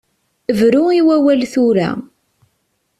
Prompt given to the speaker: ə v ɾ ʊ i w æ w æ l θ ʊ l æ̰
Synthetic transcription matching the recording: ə v ɾ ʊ i w æ w æ l θ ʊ ɾ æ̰